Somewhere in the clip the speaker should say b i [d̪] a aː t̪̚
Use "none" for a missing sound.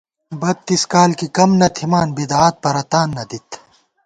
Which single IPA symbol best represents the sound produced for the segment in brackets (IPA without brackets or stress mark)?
d̪